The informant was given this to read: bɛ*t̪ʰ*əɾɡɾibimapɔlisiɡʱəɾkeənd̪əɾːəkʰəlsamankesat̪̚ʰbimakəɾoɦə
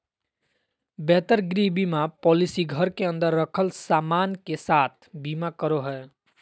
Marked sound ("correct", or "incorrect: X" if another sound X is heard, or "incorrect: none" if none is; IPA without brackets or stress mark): incorrect: t̪